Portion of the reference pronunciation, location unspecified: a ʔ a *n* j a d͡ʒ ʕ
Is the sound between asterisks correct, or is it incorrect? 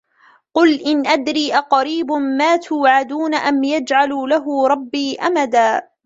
incorrect